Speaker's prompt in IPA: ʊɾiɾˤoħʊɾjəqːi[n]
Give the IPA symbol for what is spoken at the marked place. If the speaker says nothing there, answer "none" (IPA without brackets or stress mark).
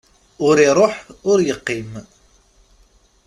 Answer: m